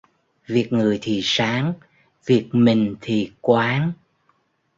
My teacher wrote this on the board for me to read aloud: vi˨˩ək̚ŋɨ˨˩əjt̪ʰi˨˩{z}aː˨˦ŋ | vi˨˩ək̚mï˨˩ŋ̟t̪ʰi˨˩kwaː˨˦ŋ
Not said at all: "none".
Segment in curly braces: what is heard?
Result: s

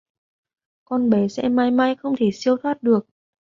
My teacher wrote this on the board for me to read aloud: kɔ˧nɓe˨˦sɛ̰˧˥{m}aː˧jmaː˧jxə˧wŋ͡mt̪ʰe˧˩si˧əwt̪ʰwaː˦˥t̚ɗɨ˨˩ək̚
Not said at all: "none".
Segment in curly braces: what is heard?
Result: m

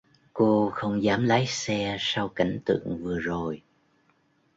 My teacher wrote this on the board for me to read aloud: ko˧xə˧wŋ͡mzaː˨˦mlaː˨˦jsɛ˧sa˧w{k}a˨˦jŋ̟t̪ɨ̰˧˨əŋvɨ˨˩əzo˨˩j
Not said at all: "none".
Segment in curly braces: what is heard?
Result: k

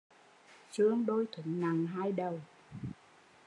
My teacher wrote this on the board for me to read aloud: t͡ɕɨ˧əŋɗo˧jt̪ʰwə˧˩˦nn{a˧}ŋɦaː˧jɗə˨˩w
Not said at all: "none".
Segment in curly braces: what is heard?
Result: a˨˩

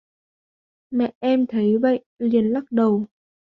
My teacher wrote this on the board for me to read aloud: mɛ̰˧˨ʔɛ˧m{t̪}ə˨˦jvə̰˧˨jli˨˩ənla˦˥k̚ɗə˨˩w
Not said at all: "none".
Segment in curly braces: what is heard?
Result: t̪ʰ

